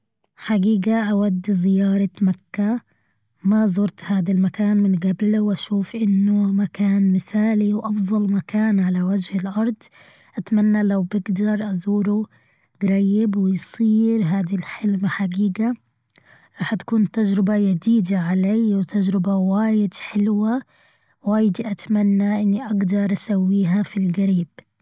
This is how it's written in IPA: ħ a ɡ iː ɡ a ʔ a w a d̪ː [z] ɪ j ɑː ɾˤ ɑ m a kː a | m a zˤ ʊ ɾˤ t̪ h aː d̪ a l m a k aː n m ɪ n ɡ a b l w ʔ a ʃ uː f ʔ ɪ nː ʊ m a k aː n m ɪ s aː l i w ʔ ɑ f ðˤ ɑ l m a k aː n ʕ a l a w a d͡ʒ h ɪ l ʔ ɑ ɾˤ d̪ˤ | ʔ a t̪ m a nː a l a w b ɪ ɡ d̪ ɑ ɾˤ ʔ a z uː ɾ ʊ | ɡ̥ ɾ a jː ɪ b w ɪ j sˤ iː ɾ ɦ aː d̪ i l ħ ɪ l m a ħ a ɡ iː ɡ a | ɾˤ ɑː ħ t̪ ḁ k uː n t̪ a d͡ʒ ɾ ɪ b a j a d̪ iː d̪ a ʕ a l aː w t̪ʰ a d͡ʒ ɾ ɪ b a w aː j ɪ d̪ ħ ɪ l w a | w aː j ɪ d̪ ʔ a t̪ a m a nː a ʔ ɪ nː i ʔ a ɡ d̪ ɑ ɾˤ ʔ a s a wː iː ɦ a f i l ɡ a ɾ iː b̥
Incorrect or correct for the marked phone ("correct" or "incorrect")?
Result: correct